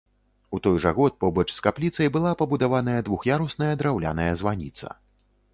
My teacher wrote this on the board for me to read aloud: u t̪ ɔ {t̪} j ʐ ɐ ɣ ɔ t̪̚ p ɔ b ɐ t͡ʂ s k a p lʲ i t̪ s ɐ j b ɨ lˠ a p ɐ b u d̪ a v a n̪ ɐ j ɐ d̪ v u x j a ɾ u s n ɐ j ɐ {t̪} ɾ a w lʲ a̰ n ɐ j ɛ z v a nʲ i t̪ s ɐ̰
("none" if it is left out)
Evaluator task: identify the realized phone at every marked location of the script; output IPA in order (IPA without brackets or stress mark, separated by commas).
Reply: none, d̪